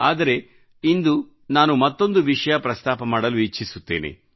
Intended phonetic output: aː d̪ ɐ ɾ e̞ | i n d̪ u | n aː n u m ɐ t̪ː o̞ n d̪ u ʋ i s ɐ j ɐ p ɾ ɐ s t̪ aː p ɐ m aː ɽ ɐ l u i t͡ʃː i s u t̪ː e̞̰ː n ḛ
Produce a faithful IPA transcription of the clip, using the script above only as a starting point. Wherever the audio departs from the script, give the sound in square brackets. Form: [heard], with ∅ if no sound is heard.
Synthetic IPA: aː d̪ ɐ ɾ e̞ | i n d̪ u | n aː n u m ɐ t̪ː o̞ n d̪ u ʋ i [ʂ] ɐ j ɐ p ɾ ɐ s t̪ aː p ɐ m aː ɽ ɐ l u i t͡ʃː i s u t̪ː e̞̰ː n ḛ